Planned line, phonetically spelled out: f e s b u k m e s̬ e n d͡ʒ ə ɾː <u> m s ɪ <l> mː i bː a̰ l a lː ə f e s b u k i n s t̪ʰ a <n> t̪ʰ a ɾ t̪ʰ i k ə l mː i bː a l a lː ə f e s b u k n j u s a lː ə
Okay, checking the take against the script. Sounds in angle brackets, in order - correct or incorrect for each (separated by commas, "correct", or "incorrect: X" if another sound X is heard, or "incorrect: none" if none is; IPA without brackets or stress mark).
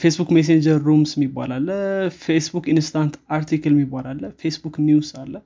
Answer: correct, incorrect: none, correct